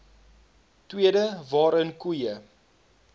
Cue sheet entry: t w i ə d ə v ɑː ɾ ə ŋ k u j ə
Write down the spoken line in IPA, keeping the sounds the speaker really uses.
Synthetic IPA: t w i ə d ə v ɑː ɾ ə n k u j ə